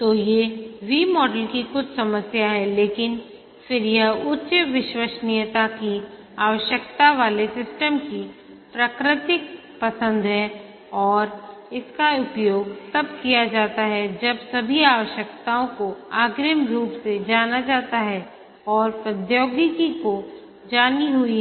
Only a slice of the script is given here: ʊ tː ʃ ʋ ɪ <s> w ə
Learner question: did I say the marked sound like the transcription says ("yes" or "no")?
no